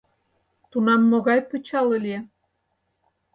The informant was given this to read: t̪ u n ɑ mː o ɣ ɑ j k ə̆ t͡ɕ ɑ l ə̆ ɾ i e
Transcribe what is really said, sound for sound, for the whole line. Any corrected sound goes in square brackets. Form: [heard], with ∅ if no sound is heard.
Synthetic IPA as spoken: t̪ u n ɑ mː o ɣ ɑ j [p] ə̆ t͡ɕ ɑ l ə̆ [l] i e